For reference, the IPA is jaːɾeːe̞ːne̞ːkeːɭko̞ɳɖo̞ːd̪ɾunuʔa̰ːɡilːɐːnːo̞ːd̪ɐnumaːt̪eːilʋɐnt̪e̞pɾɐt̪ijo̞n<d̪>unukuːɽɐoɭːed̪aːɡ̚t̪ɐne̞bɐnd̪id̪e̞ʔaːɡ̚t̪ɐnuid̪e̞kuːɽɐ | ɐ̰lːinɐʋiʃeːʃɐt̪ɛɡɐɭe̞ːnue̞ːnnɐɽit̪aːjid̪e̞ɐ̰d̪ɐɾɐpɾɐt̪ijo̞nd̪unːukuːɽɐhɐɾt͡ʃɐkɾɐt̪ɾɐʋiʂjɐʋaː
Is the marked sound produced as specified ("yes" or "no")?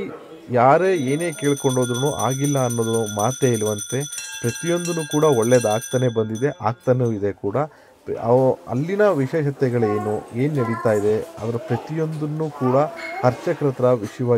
yes